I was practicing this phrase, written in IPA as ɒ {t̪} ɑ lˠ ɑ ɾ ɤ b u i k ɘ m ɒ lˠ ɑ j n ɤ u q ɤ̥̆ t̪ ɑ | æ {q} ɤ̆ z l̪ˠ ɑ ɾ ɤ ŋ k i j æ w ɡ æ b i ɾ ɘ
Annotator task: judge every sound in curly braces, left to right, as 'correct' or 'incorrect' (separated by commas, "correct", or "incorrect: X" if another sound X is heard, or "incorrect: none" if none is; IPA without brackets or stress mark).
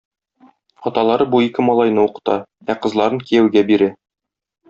correct, correct